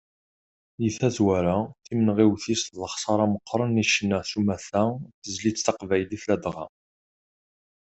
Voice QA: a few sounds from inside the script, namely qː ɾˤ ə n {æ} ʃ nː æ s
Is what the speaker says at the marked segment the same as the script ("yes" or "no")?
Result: no